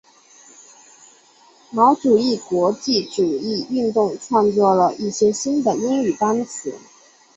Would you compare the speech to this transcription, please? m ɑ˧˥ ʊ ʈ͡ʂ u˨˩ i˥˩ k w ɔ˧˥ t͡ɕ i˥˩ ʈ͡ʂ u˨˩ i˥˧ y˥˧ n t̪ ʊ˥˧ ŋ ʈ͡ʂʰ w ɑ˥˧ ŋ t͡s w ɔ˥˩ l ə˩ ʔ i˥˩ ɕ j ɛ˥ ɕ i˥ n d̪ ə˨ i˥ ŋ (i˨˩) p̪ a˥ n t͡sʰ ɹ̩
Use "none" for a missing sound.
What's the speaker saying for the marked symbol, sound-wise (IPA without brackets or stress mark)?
y˨˩